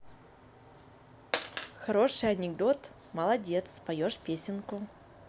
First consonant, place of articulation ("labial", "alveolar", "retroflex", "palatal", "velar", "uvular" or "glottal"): velar